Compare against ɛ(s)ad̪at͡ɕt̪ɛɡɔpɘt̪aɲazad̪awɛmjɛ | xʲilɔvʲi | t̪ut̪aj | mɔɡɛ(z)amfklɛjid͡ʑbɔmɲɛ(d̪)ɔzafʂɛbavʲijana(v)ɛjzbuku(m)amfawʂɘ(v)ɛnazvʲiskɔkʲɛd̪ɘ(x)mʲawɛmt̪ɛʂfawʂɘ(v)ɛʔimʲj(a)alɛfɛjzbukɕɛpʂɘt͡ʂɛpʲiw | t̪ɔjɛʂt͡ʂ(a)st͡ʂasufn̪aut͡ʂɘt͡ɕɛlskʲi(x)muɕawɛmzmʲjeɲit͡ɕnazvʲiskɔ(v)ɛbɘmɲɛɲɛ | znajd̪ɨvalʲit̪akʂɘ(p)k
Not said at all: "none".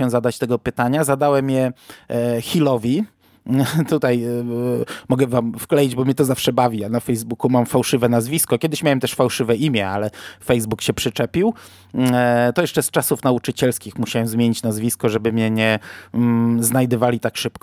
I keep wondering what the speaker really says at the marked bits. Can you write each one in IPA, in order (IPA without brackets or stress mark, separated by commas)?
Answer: z, v, t̪, f, m, v, ɕ, v, ɛ, ɛ, x, ʐ, p